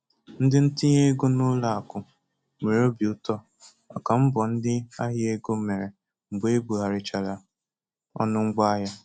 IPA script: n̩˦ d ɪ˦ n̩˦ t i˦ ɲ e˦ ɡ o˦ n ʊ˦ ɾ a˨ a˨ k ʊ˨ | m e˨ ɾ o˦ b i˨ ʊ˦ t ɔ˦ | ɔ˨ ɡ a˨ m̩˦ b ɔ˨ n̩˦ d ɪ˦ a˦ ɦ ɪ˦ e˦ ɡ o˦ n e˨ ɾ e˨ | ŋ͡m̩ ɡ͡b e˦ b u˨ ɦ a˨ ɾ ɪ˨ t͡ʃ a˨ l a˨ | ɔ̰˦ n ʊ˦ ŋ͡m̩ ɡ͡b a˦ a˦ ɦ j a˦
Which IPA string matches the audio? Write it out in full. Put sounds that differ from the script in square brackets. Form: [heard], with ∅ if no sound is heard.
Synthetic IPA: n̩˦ d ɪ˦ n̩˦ t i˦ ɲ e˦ ɡ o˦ n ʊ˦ [l] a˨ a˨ k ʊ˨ | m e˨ ɾ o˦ b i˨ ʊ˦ t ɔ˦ | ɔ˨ [k] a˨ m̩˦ b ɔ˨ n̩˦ d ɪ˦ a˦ ɦ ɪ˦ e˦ ɡ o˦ [m] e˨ ɾ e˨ | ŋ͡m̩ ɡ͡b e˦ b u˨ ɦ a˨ ɾ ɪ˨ t͡ʃ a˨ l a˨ | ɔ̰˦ n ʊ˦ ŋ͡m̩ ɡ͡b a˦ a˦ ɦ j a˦

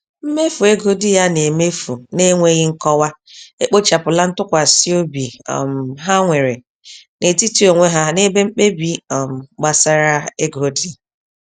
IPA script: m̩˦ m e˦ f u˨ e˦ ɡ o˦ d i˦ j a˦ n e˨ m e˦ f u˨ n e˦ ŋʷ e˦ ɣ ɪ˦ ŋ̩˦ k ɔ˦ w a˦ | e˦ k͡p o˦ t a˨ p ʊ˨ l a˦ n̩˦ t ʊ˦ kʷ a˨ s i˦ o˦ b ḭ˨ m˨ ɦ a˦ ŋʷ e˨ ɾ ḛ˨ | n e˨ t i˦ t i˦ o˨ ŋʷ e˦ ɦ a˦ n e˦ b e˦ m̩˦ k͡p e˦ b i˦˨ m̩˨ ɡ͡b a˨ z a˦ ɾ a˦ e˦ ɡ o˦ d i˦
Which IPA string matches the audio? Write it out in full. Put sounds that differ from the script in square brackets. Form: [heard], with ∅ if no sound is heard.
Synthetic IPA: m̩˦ m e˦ f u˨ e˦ ɡ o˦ d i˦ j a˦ n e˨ m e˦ f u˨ n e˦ ŋʷ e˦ ɣ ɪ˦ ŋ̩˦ k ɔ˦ w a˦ | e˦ k͡p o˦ [t͡ʃ] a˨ p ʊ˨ l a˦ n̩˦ t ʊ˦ kʷ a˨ s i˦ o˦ b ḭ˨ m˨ ɦ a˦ ŋʷ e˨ ɾ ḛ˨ | n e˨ t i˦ t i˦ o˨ ŋʷ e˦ ɦ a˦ n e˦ b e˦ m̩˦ k͡p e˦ b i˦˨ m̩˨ ɡ͡b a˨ [s] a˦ ɾ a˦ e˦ ɡ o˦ d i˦

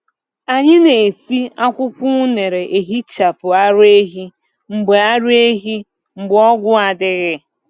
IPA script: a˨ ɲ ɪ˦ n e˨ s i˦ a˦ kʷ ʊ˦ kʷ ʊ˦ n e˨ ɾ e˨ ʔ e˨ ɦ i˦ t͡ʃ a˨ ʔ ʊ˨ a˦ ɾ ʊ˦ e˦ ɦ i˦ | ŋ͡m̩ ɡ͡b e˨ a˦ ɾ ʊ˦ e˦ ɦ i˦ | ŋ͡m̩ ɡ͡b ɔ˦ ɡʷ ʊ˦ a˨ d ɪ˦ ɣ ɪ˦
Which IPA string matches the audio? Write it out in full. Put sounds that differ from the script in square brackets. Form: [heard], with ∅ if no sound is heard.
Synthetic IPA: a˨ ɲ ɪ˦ n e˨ s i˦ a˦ kʷ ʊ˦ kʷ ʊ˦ n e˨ ɾ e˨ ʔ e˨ ɦ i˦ t͡ʃ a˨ [p] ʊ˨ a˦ ɾ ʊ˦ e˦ ɦ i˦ | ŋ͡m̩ ɡ͡b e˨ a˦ ɾ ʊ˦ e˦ ɦ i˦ | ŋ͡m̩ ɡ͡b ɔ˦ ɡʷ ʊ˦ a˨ d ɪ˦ ɣ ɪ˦

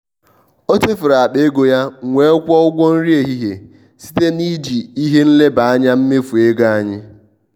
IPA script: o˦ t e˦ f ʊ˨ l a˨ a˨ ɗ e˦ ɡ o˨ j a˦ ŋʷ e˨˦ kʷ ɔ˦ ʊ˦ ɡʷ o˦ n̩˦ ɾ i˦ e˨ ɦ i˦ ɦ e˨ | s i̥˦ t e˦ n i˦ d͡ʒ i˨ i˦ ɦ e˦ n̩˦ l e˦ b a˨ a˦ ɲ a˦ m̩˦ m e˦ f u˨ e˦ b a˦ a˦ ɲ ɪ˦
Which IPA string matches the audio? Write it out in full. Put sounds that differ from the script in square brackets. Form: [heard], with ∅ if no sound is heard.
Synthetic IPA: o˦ t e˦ f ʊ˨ [ɾ] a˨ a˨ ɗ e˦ ɡ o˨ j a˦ ŋʷ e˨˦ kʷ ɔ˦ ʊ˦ ɡʷ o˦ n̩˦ ɾ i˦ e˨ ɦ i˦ ɦ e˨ | s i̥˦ t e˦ n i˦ d͡ʒ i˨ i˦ ɦ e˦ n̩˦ l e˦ b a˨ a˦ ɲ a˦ m̩˦ m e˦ f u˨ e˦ [ɡ] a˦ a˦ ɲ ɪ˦

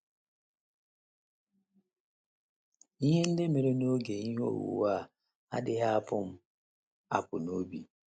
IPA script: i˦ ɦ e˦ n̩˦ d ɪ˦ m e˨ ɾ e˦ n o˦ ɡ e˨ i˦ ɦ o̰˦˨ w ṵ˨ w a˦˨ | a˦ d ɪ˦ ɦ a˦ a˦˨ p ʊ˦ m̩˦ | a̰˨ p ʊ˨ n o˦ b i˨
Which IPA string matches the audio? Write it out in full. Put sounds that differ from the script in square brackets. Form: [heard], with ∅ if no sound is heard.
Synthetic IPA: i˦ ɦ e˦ n̩˦ d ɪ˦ m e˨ ɾ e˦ n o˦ ɡ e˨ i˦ ɦ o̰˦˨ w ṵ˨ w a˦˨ | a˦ d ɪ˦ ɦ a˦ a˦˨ p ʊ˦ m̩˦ | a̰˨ p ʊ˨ n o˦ b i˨

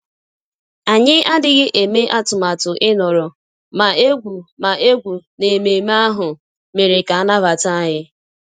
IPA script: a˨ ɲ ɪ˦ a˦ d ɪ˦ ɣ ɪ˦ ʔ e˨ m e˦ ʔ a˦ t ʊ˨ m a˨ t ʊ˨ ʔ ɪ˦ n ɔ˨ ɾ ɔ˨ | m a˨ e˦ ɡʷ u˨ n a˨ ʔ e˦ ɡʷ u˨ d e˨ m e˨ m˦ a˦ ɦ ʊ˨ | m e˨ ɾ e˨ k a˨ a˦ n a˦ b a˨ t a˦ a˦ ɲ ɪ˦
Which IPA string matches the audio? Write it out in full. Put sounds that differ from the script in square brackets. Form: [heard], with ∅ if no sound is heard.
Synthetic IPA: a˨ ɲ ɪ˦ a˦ d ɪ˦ ɣ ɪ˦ ʔ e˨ m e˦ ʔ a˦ t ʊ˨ m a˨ t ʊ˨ ʔ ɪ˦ n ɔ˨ ɾ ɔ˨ | m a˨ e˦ ɡʷ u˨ [m] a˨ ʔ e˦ ɡʷ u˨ [n] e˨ m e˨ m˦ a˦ ɦ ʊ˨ | m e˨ ɾ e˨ k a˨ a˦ n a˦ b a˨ t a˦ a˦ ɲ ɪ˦

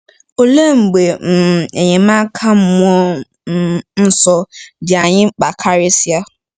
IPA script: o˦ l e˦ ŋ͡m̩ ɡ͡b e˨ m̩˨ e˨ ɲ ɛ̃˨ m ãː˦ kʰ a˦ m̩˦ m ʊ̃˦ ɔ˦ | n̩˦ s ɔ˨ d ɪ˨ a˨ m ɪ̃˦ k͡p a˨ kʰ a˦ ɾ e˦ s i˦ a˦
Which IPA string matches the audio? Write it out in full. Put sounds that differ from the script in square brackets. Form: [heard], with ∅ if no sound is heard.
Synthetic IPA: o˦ l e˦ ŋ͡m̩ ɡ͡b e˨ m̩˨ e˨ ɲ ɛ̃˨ m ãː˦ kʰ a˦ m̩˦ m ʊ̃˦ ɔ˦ | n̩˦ s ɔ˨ d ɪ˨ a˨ [ɲ] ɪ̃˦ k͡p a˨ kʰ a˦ ɾ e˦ s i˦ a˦

